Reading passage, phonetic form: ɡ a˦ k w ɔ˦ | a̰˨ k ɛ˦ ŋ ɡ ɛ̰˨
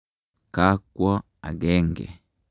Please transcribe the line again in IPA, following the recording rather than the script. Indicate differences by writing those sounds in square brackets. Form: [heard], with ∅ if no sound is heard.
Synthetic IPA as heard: [k] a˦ k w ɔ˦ | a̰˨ [ɡ] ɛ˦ ŋ ɡ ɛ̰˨